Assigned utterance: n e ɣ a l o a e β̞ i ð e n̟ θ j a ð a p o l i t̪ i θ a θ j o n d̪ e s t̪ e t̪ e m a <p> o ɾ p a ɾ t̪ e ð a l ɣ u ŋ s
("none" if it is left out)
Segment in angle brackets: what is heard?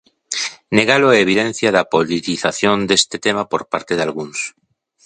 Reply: p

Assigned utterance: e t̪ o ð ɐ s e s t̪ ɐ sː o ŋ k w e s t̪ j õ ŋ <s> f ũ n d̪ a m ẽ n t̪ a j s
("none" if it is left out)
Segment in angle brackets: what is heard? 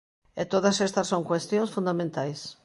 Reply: s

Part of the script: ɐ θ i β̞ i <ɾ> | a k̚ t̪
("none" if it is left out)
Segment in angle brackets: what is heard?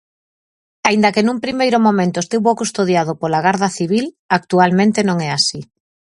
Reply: l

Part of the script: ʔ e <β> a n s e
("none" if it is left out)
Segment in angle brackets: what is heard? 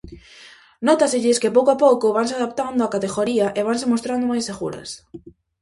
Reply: β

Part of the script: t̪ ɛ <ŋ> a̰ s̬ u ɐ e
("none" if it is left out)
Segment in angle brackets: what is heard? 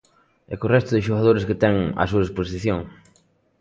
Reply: ŋ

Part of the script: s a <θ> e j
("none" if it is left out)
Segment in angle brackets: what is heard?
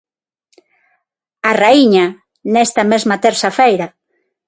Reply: f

